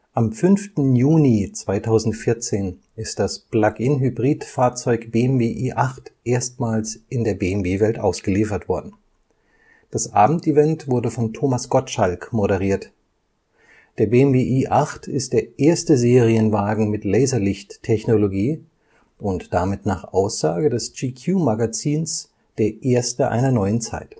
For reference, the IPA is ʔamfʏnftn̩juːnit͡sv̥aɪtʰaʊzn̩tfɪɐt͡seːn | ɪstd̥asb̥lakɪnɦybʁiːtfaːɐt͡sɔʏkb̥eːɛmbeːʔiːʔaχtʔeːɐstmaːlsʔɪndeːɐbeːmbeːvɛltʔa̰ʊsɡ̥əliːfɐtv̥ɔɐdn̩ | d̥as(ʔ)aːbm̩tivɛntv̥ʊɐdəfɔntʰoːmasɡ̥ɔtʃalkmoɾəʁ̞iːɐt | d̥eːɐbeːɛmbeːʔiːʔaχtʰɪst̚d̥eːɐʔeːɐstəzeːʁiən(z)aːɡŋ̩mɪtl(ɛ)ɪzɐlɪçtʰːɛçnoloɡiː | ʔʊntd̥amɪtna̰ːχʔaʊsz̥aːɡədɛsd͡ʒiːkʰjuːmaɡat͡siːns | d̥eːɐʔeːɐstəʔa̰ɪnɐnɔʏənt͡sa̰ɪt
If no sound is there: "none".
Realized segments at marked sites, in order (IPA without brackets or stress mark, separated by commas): ʔ, v, ɛ